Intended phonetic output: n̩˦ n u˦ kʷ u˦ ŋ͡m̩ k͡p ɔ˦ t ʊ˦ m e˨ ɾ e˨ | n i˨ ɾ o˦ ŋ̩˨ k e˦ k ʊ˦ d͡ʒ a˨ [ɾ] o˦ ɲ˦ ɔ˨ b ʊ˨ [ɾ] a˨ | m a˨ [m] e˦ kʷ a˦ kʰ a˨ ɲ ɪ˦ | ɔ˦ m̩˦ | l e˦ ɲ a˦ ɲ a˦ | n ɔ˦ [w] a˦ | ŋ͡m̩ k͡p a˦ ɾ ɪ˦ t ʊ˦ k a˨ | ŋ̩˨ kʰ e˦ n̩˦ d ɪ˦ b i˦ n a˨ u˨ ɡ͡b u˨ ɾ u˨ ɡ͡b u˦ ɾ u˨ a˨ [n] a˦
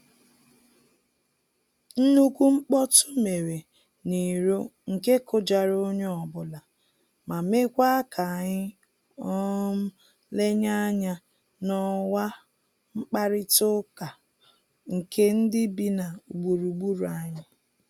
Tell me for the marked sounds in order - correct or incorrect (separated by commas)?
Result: correct, incorrect, correct, correct, incorrect